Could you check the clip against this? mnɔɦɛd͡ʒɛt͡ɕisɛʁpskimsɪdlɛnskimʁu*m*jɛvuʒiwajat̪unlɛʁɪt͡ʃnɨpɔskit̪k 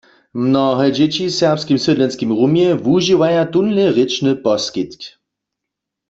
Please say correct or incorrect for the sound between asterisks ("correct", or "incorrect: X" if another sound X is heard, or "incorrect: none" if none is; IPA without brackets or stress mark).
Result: correct